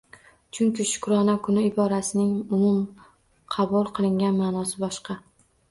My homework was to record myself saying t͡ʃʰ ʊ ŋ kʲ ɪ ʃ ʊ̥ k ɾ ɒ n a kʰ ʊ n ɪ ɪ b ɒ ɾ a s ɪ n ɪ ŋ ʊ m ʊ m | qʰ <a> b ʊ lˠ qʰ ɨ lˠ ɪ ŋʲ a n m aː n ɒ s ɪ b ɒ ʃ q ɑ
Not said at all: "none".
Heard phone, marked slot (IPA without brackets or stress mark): ɑ